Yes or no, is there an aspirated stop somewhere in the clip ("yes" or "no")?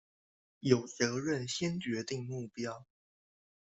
no